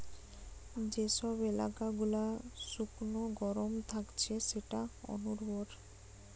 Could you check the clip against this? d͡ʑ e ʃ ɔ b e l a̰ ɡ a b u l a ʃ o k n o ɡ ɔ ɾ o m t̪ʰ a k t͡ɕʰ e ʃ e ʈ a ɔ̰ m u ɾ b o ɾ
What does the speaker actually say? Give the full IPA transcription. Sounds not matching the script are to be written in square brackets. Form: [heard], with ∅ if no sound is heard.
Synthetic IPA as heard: d͡ʑ e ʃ ɔ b e l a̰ [k] a [ɡ] u l a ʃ [u] k n o ɡ ɔ ɾ o m t̪ʰ a k t͡ɕʰ e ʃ e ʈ a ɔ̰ [n] u ɾ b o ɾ